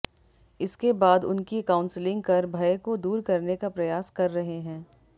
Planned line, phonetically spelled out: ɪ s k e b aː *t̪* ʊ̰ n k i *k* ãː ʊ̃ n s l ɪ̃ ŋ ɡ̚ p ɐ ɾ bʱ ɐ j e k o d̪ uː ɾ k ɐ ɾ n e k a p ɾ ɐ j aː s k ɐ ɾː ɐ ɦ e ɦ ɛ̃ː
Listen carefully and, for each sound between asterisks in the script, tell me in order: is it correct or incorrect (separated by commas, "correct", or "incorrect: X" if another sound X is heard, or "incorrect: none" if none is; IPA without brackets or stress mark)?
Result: incorrect: d̪, correct